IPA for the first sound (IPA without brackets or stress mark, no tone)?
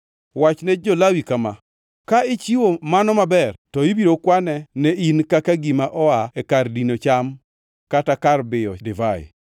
w